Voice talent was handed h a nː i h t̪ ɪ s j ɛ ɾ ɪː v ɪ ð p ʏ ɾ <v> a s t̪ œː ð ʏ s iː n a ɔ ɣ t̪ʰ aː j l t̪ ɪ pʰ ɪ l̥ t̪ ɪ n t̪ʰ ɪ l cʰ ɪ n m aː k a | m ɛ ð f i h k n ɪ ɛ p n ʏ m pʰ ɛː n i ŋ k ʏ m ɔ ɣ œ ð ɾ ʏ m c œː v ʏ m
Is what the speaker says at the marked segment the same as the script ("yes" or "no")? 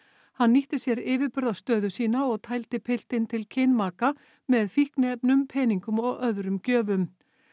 no